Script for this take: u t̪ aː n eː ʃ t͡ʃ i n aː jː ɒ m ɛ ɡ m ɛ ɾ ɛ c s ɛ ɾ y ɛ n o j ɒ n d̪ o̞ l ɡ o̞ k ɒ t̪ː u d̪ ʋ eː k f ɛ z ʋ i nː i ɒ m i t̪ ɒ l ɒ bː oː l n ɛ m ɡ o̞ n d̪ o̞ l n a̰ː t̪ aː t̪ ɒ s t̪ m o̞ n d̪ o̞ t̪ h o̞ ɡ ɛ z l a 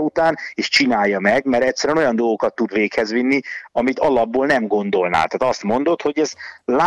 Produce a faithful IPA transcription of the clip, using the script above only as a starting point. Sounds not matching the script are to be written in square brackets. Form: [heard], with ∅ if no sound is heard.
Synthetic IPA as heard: u t̪ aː n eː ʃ t͡ʃ i n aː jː ɒ m ɛ ɡ m ɛ ɾ ɛ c s ɛ ɾ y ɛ n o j ɒ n d̪ o̞ l ɡ o̞ k ɒ t̪ː u d̪ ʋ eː k [h] ɛ z ʋ i nː i ɒ m i t̪ ɒ l ɒ bː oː l n ɛ m ɡ o̞ n d̪ o̞ l n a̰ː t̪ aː t̪ ɒ s t̪ m o̞ n d̪ o̞ t̪ h o̞ [ɟ] ɛ z l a